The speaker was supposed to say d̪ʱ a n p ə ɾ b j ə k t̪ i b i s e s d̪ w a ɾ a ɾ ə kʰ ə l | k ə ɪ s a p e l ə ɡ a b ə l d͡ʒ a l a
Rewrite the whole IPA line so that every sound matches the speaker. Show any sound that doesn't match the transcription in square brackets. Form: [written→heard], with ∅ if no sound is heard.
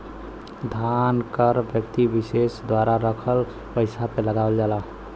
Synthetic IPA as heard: d̪ʱ a n [p→k] ə ɾ b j ə k t̪ i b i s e s d̪ w a ɾ a ɾ ə kʰ ə l | [k→p] ə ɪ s a p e l ə ɡ a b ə l d͡ʒ a l a